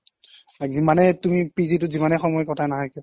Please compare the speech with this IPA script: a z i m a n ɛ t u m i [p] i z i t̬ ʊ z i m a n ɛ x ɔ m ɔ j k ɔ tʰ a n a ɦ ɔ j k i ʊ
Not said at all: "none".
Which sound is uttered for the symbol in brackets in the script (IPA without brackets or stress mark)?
p